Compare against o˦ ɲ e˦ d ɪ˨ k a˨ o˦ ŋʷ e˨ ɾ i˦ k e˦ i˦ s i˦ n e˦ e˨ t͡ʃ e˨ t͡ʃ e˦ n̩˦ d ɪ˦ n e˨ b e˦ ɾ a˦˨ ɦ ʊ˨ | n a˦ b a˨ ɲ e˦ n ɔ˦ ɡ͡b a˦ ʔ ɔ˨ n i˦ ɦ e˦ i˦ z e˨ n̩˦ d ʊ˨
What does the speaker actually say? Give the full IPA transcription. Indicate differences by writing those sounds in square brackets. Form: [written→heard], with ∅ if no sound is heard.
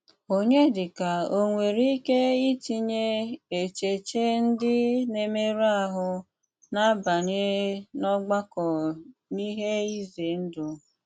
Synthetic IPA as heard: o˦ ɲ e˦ d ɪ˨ k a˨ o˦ ŋʷ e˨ ɾ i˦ k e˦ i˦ [s→t] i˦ [n→ɲ] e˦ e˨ t͡ʃ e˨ t͡ʃ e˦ n̩˦ d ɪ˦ n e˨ [b→m] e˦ ɾ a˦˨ ɦ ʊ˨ | n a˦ b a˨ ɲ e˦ n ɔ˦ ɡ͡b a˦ [ʔ→k] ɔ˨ n i˦ ɦ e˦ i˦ z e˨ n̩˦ d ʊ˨